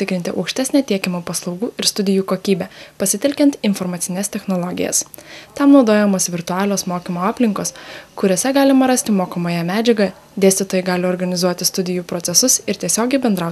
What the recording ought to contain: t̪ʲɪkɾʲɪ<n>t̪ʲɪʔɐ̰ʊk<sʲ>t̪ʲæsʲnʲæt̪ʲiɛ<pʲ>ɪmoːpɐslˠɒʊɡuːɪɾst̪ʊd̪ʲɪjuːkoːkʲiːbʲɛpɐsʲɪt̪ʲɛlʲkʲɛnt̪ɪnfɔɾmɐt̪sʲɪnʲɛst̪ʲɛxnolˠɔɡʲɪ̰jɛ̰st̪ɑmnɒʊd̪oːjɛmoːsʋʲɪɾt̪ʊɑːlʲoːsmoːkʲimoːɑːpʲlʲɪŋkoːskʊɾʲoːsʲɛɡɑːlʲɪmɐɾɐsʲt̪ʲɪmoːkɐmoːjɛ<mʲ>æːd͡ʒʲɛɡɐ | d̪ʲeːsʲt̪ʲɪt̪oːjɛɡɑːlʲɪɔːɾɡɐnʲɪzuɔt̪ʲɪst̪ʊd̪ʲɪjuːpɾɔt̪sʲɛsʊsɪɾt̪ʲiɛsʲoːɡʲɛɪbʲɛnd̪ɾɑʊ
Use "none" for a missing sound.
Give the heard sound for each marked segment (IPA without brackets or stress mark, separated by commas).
n, ʃʲ, kʲ, mʲ